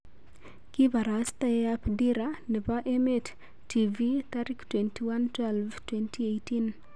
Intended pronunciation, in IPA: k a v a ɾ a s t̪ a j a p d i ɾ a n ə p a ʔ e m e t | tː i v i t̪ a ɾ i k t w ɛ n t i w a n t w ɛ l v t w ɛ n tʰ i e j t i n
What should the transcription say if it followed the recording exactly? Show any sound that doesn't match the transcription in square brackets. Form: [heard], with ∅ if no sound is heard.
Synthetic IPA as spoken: k [i] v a ɾ a s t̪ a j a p d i ɾ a n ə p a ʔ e m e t | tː i v i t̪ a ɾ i k t w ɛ n t i w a n t w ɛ l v t w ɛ n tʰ i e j t i n